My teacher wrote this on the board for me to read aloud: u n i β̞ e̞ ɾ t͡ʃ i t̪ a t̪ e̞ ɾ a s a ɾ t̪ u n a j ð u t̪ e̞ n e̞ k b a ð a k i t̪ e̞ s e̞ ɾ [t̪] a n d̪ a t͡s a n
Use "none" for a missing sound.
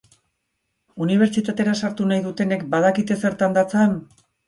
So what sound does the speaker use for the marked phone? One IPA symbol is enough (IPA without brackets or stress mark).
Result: t̪